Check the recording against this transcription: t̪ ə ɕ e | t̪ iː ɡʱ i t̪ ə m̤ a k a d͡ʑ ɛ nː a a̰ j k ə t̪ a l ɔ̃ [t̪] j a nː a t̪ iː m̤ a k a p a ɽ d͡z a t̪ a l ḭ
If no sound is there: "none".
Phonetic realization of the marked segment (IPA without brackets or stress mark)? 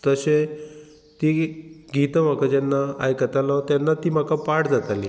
t̪